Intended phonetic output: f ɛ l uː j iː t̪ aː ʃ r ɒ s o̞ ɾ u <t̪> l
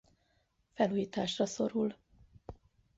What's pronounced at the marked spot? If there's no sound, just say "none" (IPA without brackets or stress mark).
none